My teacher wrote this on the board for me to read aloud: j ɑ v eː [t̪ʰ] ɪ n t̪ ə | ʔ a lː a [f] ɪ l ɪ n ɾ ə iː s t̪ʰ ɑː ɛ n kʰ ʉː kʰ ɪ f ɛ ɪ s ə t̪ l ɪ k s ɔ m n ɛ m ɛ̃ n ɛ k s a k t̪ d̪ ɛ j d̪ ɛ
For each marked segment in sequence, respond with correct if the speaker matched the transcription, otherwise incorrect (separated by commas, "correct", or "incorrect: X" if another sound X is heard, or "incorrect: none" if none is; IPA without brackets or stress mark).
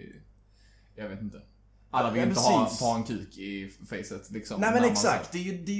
incorrect: t̪, incorrect: v